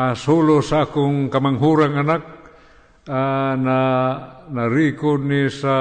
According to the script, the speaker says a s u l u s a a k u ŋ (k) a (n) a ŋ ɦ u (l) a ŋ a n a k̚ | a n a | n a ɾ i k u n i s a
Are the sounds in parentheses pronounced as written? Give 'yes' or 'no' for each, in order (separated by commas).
yes, no, no